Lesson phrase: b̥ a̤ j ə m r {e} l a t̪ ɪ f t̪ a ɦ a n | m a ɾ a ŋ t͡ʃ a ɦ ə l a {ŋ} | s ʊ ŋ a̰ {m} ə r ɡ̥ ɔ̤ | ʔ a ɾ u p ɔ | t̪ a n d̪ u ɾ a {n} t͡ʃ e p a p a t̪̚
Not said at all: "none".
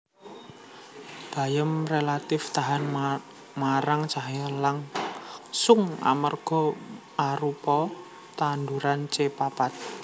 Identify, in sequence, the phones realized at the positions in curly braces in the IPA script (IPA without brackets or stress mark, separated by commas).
e, ŋ, m, n